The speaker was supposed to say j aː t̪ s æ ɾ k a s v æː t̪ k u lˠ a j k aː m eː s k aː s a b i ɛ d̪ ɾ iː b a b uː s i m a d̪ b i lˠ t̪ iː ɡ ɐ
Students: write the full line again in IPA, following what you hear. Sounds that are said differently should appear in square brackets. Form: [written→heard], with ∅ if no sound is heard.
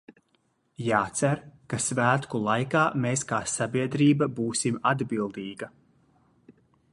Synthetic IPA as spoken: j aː t̪ s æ ɾ k a s v æː t̪ k u lˠ a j k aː m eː s k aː s a b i ɛ d̪ ɾ iː b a b uː s i m a d̪ b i lˠ [t̪→d̪] iː ɡ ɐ